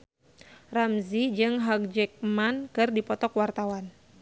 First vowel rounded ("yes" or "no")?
no